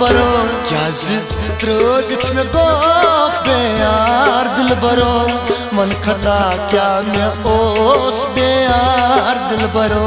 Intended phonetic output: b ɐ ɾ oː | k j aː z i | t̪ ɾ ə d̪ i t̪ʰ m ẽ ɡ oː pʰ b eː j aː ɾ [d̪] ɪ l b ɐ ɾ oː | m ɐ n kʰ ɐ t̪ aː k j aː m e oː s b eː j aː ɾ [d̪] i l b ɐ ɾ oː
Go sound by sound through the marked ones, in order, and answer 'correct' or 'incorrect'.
correct, correct

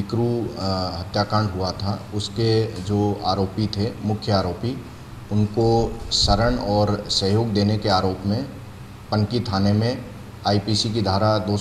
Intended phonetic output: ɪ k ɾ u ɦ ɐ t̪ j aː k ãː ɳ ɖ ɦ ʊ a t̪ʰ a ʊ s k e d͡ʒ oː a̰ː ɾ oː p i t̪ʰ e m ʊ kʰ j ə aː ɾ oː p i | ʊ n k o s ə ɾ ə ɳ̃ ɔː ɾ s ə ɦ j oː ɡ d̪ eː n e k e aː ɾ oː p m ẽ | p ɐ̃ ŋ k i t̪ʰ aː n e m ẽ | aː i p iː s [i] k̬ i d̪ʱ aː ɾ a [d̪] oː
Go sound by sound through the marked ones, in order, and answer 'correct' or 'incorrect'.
correct, correct

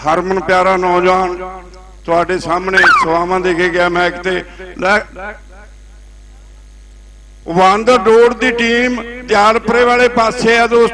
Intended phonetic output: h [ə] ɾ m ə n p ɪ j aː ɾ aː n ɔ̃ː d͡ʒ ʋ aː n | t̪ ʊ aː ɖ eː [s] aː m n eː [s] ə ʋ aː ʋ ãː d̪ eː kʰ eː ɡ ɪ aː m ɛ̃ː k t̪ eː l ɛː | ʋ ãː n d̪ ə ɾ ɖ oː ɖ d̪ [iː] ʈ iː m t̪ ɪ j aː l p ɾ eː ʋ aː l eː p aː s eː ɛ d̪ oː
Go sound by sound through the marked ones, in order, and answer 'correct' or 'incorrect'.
correct, correct, correct, correct

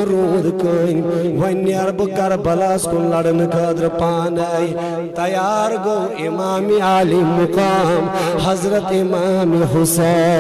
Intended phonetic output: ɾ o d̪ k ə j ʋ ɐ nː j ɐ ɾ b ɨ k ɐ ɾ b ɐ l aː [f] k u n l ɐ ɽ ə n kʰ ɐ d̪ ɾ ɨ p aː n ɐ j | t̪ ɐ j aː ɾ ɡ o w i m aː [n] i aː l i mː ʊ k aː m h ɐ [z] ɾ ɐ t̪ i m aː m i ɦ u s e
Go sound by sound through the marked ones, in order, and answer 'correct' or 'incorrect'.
incorrect: s, incorrect: m, correct

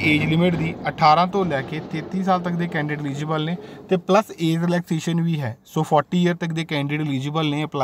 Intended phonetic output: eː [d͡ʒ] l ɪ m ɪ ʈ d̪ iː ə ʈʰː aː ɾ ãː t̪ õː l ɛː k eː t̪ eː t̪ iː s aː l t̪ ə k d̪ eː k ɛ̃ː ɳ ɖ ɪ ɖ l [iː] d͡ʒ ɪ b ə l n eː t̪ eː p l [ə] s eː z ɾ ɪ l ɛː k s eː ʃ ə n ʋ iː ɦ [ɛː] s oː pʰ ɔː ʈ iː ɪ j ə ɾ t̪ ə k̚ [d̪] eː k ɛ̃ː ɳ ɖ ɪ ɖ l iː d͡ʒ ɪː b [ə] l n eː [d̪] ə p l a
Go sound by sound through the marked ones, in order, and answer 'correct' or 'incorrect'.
correct, correct, correct, correct, correct, correct, incorrect: none

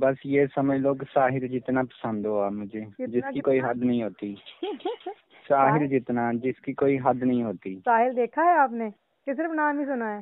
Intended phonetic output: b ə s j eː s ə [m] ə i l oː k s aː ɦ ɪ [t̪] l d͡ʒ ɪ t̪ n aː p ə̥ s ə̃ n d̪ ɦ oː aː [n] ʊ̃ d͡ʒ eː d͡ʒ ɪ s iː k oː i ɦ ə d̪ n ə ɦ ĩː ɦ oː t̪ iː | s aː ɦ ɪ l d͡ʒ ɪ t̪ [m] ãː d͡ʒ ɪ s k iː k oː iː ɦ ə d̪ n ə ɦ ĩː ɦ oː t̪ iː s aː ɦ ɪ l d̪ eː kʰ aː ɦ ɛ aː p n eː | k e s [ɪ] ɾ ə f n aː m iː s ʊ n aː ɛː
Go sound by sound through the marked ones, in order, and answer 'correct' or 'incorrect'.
correct, incorrect: none, incorrect: m, incorrect: n, correct

